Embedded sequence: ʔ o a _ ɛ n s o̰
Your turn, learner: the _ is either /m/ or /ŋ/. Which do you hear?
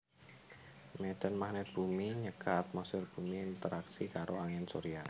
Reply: ŋ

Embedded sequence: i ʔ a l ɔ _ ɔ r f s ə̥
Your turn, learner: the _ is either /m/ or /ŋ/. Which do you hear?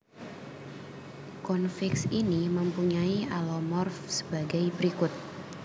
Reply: m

